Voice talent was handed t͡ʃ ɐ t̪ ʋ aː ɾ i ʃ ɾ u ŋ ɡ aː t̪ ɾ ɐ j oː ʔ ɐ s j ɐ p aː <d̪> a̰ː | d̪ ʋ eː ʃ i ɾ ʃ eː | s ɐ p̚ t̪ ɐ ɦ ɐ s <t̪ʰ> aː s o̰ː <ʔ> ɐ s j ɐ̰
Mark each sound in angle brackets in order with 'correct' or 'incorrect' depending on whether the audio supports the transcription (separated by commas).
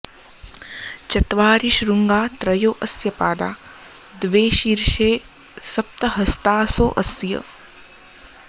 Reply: correct, incorrect, correct